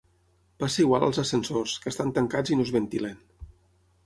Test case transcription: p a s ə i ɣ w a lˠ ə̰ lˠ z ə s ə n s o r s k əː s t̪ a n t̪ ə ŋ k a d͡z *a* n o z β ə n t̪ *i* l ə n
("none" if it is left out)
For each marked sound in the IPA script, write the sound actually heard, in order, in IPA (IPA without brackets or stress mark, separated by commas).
i, i